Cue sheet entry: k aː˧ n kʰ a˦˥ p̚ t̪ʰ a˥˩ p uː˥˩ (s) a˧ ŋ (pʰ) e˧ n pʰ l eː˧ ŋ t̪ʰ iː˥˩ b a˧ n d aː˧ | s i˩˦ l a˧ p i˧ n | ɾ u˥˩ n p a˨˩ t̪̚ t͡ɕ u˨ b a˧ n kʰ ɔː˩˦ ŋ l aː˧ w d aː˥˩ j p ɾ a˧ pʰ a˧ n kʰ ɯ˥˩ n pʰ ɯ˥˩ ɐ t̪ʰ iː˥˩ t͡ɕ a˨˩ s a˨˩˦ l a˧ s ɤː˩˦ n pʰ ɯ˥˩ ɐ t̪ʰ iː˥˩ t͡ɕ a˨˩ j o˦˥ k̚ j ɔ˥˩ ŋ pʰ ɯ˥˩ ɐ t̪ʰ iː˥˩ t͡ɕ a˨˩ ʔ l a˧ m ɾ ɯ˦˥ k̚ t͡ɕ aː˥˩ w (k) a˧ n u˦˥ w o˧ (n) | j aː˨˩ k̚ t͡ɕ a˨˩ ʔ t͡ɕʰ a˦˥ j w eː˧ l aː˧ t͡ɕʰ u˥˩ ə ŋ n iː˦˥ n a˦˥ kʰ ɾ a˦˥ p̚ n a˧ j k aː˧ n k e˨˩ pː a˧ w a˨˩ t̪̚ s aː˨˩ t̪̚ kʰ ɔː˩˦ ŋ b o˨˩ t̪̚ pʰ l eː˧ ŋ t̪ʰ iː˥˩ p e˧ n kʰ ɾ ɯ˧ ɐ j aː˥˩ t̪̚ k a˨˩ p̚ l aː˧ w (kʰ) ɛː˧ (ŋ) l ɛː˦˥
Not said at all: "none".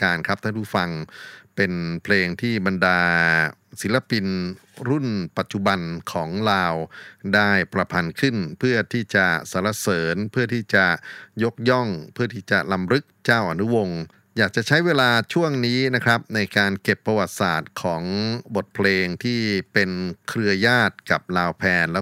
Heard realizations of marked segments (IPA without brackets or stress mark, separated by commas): f, p, ʔ, ŋ, pʰ, n